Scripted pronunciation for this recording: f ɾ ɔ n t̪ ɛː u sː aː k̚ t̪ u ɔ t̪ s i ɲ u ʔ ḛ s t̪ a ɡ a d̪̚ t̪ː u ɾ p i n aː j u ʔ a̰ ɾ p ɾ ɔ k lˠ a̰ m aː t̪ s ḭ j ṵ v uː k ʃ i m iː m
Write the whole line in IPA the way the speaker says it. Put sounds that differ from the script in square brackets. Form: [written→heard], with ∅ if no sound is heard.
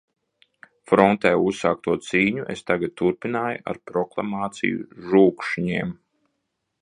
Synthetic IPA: f ɾ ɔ n t̪ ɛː u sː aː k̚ t̪ u ɔ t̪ s [i→iː] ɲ u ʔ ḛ s t̪ a ɡ a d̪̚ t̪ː u ɾ p i n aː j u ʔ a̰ ɾ p ɾ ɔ k lˠ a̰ m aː t̪ s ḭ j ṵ [v→ʒ] uː k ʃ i [m→ɲ] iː m